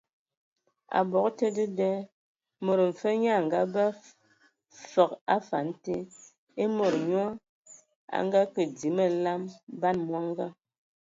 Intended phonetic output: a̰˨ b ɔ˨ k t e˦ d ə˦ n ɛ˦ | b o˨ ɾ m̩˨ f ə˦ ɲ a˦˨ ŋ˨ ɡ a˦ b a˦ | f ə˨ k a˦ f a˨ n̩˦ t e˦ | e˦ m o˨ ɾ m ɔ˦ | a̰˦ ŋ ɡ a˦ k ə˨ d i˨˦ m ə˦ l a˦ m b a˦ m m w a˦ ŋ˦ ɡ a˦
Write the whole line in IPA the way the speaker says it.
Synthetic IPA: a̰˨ b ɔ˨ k t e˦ d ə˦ d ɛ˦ | m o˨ ɾ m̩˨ f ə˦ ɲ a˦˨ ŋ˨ ɡ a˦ b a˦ | f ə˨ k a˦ f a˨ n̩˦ t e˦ | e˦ m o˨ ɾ ɲ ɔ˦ | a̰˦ ŋ ɡ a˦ k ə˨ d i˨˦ m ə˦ l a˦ m b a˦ n m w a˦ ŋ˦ ɡ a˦